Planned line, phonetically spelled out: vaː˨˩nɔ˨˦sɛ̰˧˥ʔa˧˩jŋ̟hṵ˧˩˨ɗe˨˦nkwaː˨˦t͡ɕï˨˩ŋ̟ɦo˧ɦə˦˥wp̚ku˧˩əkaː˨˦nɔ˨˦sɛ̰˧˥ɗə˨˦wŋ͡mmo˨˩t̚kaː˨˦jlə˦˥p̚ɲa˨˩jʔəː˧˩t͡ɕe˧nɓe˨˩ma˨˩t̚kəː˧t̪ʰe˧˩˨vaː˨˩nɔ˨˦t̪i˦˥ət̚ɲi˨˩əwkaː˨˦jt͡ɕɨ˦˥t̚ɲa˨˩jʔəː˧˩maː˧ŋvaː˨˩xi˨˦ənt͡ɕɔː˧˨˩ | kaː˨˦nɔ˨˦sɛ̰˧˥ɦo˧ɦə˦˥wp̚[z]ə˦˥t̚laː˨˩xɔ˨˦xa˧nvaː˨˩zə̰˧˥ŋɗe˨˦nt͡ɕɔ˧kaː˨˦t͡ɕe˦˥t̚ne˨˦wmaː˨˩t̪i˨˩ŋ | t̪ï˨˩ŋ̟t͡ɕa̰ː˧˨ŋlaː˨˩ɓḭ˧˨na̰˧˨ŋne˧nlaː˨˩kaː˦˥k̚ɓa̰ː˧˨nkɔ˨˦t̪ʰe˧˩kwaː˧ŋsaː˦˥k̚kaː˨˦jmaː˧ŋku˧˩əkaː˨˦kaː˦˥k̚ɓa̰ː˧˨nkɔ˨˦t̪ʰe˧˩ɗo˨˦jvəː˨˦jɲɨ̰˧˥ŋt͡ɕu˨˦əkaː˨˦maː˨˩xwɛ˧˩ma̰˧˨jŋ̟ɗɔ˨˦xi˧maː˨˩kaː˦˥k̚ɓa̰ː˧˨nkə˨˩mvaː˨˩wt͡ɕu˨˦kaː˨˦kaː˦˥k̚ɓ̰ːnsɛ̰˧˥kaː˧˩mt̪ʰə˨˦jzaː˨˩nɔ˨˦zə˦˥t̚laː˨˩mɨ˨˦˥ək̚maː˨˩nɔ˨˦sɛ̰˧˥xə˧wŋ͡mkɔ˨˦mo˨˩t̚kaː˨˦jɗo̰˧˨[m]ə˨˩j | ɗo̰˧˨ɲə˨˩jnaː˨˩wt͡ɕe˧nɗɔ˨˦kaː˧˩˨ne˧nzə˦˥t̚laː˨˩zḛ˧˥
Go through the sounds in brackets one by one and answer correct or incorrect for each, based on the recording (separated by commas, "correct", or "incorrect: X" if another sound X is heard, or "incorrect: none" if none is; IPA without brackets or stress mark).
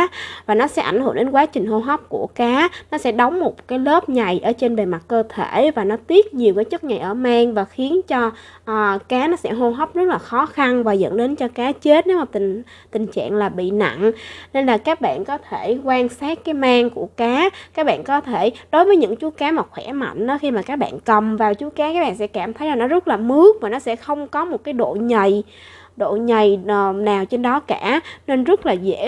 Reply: correct, incorrect: ɲ